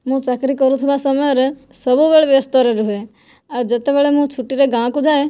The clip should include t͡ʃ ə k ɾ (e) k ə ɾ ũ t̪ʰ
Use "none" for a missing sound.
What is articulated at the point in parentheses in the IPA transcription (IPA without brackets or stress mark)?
i